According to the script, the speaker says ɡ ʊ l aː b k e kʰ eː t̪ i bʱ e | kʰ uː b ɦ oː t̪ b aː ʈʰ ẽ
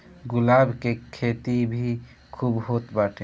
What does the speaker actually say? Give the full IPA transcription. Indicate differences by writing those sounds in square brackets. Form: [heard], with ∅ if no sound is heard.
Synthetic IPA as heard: ɡ ʊ l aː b k e kʰ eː t̪ i bʱ [i] | kʰ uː b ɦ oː t̪ b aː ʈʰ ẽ